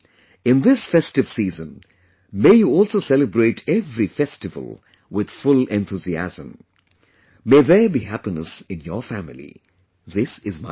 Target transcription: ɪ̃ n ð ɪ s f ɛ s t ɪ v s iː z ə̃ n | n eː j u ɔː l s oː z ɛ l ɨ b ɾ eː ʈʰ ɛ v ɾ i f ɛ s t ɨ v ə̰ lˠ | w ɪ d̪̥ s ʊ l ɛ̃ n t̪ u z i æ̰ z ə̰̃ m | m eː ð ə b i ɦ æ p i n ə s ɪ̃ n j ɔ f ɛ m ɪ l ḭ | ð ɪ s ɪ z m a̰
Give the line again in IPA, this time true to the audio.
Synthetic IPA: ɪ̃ n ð ɪ s f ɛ s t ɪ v s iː z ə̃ n | m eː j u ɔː l s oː s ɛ l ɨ b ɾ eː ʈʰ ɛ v ɾ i f ɛ s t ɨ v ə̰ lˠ | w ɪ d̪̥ f ʊ l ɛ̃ n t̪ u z i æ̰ z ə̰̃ m | m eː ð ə b i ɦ æ p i n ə s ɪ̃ n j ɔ f æ m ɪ l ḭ | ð ɪ s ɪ z m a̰